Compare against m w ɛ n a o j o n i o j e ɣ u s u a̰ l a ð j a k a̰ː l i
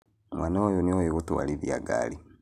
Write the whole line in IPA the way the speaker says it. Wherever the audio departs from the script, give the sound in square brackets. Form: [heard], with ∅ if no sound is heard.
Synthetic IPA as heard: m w [a] n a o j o n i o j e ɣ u [t] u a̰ l [i] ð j a [ɡ] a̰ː l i